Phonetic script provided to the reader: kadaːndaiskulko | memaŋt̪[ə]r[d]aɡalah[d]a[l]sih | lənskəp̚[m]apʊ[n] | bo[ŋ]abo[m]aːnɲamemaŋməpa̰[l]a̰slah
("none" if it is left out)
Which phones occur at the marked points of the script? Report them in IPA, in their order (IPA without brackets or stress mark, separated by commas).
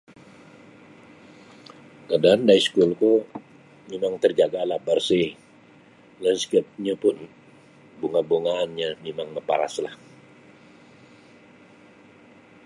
ə, d͡ʒ, b, r, ɲ, n, ŋ, ŋ, ɾ